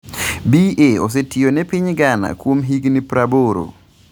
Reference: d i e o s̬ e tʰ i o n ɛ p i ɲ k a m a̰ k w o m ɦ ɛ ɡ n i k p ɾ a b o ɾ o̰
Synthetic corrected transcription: b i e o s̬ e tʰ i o n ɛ p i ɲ ɡ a n a̰ k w o m ɦ i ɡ n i p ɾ a b o ɾ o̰